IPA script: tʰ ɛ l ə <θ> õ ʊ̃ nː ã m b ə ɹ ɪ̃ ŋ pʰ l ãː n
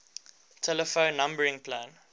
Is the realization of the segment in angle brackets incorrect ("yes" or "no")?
yes